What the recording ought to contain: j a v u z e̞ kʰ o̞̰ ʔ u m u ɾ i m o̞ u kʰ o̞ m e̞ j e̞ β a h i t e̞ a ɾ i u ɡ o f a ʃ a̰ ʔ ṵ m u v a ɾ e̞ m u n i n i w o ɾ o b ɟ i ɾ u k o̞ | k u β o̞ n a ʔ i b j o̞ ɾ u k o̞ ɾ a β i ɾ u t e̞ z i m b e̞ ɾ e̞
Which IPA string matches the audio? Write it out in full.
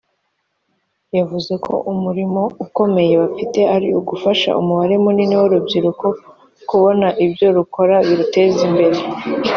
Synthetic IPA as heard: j a v u z e̞ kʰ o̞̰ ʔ u m u ɾ i m o̞ u k o̞ m e̞ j e̞ β a f i t e̞ a ɾ i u ɡ u f a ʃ a̰ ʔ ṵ m u β a ɾ e̞ m u n i n i w o ɾ u b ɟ i ɾ u k o̞ | k u β o̞ n a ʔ i b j o̞ ɾ u k o̞ ɾ a β i ɾ u t e̞ z i m b e̞ ɾ e̞